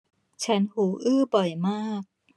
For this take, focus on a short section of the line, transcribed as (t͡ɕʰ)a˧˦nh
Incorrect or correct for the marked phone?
correct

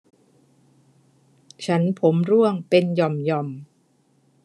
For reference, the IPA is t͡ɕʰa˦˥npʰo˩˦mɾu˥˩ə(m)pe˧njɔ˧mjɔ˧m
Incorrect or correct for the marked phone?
incorrect: ŋ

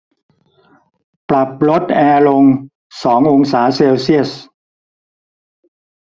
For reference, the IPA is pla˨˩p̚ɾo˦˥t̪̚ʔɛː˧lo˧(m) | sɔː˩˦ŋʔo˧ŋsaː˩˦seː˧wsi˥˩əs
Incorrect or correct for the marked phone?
incorrect: ŋ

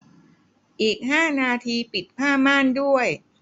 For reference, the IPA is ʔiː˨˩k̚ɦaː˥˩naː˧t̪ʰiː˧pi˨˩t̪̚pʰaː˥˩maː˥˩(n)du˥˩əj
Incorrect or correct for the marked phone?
correct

